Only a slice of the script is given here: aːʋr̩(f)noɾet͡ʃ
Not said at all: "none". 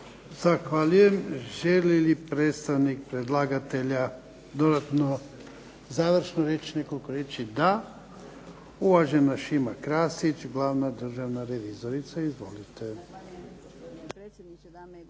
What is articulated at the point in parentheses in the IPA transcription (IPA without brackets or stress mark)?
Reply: ʃ